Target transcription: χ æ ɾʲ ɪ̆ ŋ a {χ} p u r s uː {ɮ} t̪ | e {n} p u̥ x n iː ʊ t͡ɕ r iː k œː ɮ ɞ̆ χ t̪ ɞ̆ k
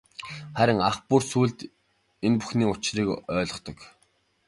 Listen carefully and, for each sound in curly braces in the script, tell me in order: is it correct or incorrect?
correct, correct, correct

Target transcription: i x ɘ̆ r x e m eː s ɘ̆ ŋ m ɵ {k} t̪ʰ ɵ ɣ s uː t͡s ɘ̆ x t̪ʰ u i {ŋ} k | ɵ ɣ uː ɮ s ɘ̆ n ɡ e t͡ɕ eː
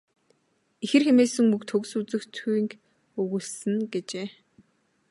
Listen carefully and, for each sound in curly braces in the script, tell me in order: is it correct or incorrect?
correct, correct

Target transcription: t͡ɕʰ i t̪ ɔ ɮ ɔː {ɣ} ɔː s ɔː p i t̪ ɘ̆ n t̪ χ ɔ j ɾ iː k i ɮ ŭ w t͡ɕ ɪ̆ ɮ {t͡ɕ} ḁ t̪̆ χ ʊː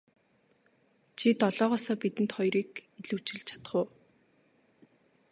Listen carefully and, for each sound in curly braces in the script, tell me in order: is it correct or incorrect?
incorrect: ʁ, incorrect: t͡ɕʰ

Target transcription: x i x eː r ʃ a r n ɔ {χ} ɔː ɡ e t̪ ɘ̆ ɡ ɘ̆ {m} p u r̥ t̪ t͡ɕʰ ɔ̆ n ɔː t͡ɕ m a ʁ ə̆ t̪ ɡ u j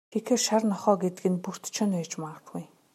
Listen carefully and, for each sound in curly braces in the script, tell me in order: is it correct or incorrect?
correct, incorrect: n

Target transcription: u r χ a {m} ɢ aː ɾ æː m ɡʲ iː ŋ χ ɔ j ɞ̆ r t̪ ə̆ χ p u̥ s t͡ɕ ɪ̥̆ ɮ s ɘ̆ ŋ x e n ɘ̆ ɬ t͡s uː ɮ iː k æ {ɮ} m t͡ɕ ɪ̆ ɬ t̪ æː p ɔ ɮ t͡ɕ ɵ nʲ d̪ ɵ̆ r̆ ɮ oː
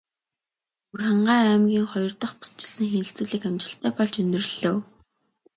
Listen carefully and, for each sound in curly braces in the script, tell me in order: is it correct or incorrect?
incorrect: ɴ, incorrect: none

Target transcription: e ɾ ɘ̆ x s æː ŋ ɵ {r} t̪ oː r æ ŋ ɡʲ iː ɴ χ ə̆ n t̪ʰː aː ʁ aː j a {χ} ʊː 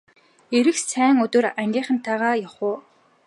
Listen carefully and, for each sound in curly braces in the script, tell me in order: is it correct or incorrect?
incorrect: none, correct

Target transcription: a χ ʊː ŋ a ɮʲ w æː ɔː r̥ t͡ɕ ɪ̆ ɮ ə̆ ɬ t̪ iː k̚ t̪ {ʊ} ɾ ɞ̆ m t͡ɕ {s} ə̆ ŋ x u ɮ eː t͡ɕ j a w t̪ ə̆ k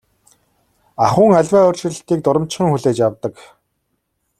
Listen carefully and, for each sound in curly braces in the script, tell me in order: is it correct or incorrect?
correct, incorrect: χ

